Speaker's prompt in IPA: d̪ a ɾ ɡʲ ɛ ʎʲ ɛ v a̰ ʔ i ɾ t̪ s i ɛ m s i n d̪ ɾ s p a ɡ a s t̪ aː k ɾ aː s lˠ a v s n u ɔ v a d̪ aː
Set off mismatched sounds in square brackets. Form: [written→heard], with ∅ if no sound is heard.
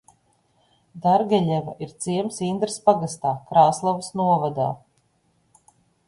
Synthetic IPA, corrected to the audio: d̪ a ɾ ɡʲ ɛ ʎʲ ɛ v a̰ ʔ i ɾ t̪ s i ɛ m s i n d̪ ɾ s p a ɡ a s t̪ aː k ɾ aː s lˠ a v s n u ɔ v a d̪ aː